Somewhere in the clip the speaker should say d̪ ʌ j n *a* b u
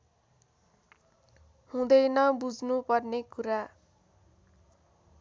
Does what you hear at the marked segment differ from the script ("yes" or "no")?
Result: yes